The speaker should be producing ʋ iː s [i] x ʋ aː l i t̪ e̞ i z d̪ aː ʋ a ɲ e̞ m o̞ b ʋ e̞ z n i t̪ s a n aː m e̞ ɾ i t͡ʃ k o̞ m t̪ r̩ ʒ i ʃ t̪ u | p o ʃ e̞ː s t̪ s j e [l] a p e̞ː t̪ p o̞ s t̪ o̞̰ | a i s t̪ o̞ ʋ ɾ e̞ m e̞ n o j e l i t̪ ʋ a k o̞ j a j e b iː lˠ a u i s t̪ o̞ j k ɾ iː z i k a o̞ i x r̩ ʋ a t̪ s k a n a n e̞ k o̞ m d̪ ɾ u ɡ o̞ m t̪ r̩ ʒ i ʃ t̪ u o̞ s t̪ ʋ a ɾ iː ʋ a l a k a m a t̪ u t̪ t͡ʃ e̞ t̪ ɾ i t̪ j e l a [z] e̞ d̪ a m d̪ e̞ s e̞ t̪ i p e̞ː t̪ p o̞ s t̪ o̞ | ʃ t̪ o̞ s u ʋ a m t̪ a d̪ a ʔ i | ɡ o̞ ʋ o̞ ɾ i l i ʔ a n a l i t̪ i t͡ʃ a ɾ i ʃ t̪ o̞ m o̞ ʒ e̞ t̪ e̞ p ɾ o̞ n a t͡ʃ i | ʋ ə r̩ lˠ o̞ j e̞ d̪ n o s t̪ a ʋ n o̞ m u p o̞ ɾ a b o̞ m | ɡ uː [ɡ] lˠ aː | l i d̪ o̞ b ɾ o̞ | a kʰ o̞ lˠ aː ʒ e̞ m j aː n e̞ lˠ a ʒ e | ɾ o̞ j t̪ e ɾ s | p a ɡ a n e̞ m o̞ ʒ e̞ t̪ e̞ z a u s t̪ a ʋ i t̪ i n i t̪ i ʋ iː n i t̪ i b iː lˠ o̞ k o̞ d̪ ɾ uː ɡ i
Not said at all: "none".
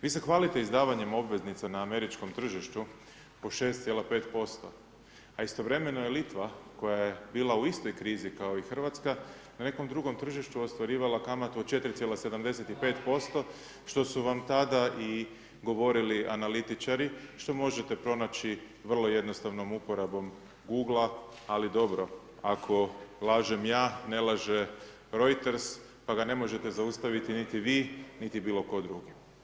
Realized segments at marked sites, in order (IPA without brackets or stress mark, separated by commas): e, l, s, ɡ